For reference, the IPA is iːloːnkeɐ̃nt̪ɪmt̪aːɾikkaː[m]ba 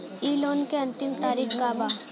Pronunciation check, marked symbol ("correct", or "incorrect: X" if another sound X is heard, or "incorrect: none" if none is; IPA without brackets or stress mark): incorrect: none